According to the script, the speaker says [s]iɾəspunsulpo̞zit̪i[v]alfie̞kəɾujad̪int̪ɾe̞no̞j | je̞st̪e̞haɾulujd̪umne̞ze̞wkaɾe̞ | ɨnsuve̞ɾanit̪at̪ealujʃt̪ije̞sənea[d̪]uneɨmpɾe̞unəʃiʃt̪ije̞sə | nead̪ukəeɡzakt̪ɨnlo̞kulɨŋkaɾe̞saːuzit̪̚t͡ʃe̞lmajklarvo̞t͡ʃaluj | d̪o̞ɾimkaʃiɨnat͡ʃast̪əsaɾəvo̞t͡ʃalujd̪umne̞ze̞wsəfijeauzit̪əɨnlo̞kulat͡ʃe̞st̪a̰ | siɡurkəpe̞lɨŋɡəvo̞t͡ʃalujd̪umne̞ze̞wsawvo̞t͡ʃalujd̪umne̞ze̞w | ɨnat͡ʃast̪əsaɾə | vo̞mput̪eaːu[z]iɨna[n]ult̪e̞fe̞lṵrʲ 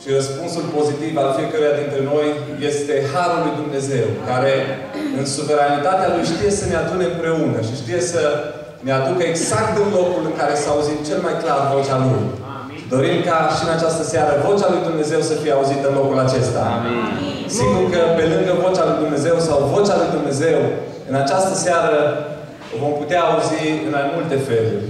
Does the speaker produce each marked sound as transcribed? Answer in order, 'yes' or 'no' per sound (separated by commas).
no, yes, yes, yes, no